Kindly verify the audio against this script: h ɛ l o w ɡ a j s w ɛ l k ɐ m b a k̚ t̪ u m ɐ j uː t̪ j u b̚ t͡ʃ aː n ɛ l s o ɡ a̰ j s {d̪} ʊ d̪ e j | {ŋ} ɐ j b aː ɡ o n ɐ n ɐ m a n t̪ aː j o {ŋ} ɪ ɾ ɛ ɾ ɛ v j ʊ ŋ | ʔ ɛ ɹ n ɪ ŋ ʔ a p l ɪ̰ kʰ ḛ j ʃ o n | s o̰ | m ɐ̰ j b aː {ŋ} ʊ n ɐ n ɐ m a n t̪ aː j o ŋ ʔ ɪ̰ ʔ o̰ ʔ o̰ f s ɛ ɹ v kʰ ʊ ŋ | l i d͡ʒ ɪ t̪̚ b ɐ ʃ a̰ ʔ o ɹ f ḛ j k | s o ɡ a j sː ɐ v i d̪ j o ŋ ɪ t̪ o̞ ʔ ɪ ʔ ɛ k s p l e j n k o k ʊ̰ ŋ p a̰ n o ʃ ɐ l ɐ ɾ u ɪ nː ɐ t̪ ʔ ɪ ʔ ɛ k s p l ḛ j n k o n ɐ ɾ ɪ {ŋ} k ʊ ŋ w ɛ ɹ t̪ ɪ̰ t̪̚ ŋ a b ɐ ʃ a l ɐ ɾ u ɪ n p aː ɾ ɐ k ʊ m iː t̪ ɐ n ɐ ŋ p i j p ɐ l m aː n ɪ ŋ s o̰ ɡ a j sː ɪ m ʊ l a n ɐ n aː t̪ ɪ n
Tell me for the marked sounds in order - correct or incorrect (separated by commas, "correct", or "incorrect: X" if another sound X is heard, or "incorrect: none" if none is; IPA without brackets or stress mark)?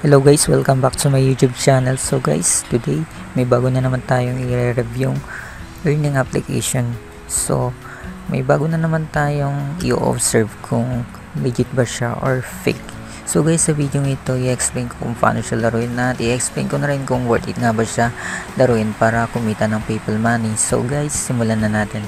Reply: incorrect: t̪, incorrect: m, correct, incorrect: ɡ, incorrect: n